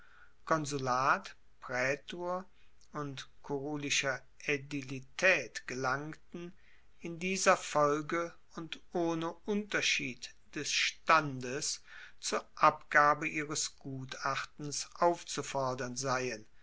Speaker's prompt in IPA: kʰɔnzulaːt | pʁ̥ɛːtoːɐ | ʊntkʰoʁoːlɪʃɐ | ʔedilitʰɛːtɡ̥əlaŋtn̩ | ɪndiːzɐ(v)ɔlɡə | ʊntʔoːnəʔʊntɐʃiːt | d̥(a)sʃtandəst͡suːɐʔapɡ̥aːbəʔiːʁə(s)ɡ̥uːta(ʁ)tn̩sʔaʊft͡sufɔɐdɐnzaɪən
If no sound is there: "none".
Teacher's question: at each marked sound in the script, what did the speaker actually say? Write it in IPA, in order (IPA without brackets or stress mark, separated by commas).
f, ɛ, s, χ